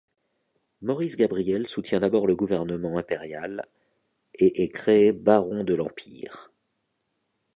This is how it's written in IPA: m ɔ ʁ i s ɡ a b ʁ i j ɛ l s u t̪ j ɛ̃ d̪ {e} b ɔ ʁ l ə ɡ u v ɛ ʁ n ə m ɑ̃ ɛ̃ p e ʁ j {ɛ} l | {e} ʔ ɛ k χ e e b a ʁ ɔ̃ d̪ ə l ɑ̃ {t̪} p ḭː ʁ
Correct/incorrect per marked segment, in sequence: incorrect: a, incorrect: a, correct, incorrect: none

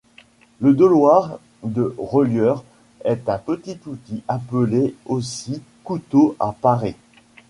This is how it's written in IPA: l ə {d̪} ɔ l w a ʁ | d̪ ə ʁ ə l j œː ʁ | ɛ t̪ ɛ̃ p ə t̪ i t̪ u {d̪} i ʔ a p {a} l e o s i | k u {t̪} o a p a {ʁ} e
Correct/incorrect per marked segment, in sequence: correct, incorrect: t̪, incorrect: ə, correct, correct

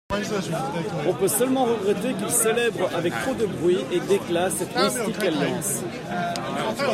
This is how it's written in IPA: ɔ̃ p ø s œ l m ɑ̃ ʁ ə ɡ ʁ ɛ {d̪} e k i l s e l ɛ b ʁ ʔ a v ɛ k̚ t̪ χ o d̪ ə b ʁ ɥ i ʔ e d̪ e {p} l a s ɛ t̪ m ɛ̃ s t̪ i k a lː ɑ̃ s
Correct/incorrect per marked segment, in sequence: incorrect: t̪, incorrect: k

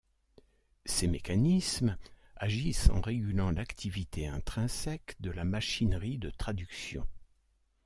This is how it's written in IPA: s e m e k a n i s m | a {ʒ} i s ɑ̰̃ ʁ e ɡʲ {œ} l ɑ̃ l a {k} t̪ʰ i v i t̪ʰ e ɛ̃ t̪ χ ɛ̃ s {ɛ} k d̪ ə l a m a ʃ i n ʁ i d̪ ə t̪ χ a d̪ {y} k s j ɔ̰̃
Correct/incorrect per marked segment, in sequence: correct, incorrect: y, correct, correct, correct

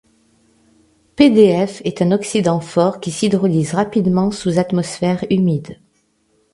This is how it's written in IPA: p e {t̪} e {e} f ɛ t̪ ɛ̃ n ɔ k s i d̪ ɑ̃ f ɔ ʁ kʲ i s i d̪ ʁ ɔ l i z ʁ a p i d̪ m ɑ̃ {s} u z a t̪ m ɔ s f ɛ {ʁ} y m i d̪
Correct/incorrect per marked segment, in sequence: incorrect: d̪, incorrect: ɛ, correct, correct

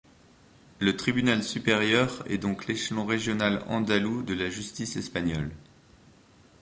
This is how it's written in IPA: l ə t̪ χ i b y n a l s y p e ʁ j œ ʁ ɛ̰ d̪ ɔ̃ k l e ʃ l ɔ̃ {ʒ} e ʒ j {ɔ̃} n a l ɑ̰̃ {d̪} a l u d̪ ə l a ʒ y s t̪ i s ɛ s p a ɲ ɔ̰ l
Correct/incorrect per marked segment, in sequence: incorrect: ʁ, incorrect: ɔ, correct

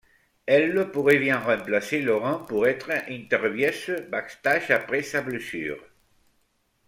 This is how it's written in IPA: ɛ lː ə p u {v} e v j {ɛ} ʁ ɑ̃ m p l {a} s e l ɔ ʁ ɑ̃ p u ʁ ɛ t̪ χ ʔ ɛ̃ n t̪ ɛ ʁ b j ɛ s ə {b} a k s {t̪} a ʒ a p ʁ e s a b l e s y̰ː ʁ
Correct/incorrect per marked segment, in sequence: incorrect: ʁ, incorrect: ɛ̃, correct, correct, correct

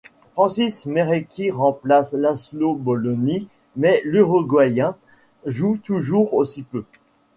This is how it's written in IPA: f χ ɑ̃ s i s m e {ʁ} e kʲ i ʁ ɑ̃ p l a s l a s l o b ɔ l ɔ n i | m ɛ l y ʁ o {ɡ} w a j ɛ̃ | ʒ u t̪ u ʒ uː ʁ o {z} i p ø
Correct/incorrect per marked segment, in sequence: correct, correct, incorrect: s

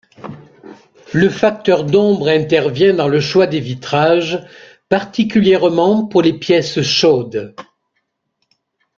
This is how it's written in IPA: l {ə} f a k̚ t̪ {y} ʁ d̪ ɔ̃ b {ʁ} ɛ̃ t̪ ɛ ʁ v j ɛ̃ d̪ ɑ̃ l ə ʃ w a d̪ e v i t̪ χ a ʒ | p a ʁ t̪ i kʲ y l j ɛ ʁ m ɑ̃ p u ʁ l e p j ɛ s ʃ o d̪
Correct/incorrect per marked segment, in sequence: correct, incorrect: œ, correct

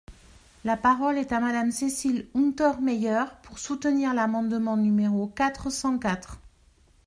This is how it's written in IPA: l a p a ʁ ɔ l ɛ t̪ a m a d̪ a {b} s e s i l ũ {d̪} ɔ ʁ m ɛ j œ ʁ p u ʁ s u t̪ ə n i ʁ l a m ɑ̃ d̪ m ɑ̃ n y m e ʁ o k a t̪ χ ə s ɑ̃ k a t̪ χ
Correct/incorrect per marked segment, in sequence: incorrect: m, incorrect: t̪

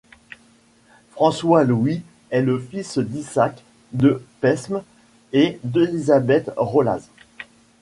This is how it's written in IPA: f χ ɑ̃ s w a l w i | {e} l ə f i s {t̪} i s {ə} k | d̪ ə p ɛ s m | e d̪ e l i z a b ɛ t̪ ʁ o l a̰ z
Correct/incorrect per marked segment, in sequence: incorrect: ɛ, incorrect: d̪, incorrect: a

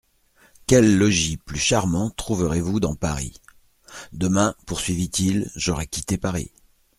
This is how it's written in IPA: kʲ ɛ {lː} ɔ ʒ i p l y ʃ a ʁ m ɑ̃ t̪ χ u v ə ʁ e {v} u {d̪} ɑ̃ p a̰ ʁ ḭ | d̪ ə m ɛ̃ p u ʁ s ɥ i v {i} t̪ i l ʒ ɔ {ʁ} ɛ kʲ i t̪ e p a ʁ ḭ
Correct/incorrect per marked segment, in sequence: correct, correct, correct, correct, correct

